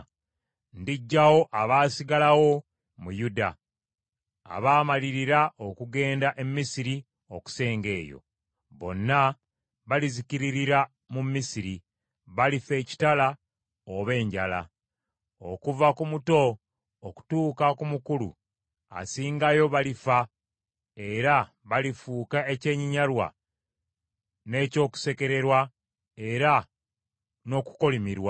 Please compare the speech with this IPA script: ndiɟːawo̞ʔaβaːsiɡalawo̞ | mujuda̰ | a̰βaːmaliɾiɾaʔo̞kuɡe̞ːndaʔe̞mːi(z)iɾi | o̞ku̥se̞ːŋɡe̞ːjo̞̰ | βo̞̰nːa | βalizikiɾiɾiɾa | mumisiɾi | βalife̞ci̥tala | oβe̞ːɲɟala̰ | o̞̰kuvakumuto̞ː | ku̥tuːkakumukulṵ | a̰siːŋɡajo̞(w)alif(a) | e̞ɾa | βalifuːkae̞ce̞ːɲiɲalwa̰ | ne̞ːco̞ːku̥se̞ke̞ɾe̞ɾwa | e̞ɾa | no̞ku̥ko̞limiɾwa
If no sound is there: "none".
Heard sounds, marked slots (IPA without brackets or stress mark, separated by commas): s, β, a